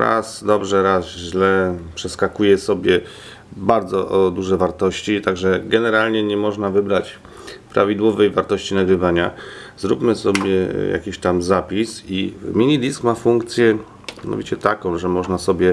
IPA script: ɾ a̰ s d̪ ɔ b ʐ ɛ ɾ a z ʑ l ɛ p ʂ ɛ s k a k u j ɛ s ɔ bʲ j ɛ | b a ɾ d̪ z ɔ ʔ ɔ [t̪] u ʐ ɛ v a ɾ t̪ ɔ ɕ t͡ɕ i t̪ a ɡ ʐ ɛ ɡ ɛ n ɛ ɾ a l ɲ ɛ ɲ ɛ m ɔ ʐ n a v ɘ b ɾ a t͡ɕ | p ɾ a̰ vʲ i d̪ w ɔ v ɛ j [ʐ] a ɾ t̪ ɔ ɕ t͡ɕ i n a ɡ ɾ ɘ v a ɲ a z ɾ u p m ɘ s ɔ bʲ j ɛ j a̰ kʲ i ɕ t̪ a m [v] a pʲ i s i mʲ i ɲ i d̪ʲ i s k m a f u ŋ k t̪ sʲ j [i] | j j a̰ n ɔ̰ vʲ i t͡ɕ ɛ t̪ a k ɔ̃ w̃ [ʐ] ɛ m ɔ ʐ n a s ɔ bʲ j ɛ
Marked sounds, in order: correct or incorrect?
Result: incorrect, incorrect, incorrect, incorrect, correct

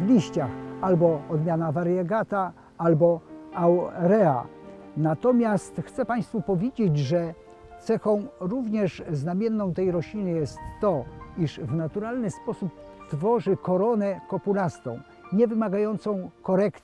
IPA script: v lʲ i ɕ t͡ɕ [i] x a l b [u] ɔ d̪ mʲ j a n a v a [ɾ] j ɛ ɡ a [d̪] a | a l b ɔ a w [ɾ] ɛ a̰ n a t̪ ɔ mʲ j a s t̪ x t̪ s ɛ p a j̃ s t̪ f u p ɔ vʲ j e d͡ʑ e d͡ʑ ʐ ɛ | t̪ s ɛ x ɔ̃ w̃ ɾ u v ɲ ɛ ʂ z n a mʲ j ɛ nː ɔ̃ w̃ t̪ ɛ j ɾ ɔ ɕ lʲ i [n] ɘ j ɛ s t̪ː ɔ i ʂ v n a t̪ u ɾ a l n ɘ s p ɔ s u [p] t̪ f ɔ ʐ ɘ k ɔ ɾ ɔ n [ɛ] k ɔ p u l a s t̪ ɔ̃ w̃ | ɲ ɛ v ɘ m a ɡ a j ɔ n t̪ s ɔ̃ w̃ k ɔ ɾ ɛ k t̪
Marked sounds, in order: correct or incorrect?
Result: incorrect, incorrect, correct, incorrect, correct, correct, correct, correct

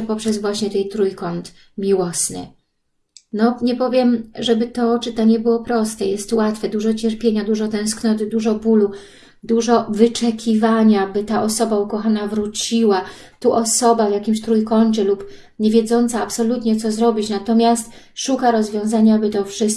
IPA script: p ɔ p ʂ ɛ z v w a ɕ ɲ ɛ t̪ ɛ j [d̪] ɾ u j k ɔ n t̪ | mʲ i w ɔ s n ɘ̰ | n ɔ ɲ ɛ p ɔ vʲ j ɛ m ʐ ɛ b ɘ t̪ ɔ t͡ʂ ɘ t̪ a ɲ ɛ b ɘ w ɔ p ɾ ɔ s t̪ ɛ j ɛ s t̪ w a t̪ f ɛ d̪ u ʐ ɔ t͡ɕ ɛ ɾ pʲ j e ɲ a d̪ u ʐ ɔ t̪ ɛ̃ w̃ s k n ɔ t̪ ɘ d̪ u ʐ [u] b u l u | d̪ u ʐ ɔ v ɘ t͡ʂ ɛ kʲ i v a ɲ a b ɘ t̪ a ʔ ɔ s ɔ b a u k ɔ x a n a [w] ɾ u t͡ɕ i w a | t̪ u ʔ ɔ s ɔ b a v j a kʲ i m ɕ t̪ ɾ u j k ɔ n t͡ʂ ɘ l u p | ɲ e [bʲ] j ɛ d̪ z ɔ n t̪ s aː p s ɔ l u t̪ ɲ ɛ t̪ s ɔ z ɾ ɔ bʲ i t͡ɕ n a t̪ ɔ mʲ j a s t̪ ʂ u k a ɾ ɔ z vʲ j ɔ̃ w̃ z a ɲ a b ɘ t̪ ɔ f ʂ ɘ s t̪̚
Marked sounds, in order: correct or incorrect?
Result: incorrect, incorrect, incorrect, incorrect

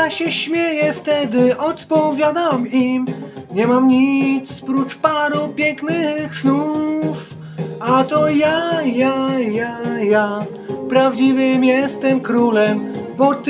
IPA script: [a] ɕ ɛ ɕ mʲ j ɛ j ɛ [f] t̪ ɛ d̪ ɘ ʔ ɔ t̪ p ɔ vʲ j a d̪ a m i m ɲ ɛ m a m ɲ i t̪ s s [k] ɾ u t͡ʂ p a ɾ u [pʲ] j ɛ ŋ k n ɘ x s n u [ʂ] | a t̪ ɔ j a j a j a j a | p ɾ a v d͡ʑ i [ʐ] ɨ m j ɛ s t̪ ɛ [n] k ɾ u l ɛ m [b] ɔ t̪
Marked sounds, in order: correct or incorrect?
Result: correct, correct, incorrect, correct, incorrect, incorrect, incorrect, correct

